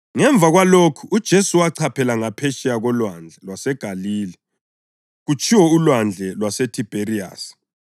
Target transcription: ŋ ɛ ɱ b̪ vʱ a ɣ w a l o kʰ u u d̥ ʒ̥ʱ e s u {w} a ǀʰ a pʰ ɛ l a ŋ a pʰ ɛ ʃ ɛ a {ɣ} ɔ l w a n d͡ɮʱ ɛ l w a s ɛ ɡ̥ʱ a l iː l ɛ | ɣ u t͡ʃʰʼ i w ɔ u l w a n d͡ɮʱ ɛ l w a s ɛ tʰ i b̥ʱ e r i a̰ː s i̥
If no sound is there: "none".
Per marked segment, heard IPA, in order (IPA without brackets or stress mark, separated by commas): w, ɣ